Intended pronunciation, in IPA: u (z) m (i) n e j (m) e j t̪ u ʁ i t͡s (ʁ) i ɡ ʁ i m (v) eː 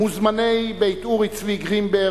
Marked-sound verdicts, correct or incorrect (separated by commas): correct, incorrect, incorrect, incorrect, incorrect